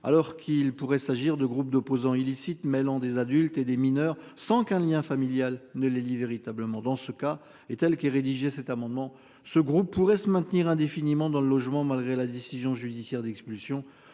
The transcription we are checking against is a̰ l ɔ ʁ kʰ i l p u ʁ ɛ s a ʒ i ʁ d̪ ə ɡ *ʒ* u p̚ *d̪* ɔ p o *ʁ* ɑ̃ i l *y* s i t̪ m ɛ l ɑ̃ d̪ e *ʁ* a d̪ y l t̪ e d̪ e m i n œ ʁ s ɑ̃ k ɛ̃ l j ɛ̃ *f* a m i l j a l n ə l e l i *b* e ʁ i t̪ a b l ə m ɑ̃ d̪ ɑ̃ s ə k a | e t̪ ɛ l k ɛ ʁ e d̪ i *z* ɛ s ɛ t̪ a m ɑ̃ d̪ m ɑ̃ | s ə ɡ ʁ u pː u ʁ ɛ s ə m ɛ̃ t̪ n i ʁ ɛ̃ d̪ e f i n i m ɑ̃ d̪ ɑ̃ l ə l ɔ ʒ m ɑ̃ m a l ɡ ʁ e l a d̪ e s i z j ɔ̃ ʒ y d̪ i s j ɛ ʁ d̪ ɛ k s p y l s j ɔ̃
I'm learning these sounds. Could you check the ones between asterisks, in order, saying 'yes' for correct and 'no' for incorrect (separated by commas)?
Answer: no, yes, no, no, no, yes, no, no